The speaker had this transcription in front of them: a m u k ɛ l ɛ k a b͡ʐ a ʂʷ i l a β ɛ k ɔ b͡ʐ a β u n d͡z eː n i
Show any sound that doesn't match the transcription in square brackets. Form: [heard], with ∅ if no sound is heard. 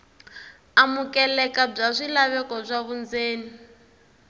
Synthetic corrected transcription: a m u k ɛ l ɛ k a b͡ʐ a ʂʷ i l a β ɛ k ɔ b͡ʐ a β u n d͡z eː n i